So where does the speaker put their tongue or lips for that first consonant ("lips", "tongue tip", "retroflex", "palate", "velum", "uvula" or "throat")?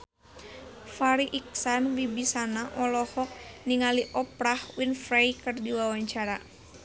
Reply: lips